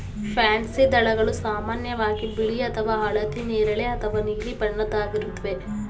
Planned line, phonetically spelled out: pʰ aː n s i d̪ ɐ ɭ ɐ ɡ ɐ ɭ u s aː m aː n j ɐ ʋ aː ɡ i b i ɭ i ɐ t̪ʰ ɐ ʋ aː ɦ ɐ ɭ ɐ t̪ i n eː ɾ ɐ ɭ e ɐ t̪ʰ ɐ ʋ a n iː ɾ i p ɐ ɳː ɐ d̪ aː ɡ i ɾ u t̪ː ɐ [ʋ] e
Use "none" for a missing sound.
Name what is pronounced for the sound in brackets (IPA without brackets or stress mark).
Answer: ʋ